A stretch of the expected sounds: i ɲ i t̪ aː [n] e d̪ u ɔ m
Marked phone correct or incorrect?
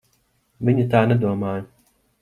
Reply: correct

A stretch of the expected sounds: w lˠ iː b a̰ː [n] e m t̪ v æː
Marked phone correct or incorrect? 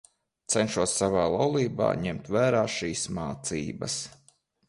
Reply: incorrect: ɲ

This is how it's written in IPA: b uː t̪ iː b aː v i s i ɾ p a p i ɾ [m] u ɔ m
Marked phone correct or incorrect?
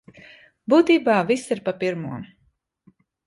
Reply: correct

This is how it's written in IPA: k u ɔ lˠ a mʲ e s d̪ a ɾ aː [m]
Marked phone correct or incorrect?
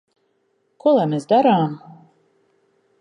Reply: correct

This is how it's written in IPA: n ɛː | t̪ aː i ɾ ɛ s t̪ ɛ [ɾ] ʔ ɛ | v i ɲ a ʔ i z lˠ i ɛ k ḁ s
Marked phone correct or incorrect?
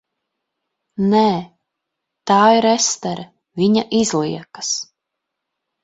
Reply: correct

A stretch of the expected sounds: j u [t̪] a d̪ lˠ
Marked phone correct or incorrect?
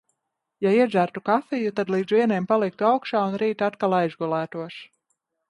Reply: correct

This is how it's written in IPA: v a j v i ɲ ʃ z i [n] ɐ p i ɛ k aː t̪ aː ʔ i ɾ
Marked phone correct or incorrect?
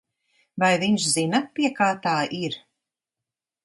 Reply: correct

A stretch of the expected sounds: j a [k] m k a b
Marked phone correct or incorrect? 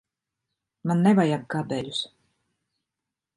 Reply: incorrect: none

